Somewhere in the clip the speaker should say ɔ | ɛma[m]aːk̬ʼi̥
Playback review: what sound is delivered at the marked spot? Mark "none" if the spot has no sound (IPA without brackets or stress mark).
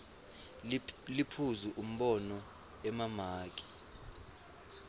m